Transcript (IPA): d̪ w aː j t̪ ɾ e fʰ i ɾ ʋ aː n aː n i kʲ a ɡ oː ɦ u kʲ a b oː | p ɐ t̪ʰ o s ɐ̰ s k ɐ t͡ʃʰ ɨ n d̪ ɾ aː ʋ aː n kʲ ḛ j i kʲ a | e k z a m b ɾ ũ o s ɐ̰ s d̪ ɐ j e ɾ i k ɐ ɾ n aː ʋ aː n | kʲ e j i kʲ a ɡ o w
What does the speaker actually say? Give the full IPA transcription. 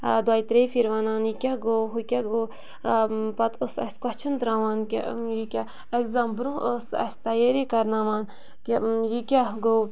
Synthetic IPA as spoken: d̪ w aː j t̪ ɾ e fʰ i ɾ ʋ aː n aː n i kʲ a ɡ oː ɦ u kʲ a ɡ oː | p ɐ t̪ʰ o s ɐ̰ s k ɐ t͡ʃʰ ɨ n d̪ ɾ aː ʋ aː n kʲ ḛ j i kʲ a | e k z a m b ɾ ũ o s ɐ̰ s t̪ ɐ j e ɾ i k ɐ ɾ n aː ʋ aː n | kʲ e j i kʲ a ɡ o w